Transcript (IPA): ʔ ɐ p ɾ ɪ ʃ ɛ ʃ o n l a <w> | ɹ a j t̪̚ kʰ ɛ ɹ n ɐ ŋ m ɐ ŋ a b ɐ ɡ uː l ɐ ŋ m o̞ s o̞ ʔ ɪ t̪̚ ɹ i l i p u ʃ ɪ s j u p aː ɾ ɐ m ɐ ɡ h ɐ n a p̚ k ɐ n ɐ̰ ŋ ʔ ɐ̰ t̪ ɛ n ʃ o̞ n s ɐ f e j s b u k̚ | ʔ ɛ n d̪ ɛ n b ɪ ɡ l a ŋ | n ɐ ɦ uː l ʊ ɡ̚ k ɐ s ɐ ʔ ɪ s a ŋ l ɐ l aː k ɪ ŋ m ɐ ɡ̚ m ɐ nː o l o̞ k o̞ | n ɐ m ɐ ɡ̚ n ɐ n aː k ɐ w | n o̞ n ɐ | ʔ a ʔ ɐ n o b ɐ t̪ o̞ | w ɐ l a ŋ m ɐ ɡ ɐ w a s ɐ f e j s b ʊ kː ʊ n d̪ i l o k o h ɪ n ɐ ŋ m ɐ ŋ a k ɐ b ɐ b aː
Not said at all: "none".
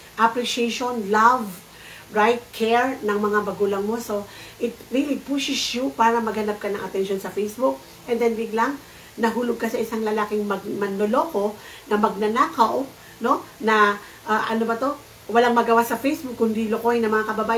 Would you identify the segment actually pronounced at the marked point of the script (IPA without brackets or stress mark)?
v